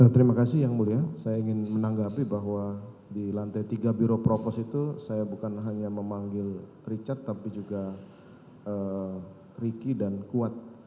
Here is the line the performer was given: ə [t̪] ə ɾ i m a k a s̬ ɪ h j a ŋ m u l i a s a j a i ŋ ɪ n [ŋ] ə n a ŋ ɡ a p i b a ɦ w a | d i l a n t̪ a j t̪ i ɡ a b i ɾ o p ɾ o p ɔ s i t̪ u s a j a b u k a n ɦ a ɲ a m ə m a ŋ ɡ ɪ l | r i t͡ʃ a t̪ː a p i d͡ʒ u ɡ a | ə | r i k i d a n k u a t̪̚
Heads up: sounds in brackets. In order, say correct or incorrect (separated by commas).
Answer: correct, incorrect